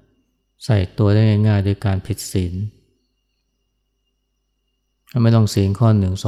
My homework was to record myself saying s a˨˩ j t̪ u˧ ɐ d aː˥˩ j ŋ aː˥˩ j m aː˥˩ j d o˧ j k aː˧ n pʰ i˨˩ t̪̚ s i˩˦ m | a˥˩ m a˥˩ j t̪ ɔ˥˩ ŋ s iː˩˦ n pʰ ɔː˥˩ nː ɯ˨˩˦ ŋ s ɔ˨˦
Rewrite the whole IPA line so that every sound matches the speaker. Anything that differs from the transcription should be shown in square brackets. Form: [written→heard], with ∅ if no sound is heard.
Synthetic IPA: s a˨˩ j t̪ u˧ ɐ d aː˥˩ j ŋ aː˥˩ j [m→ŋ] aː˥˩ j d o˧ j k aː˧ n pʰ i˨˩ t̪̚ s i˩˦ [m→n] | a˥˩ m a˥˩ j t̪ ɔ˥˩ ŋ s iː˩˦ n [pʰ→kʰ] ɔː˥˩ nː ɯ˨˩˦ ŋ s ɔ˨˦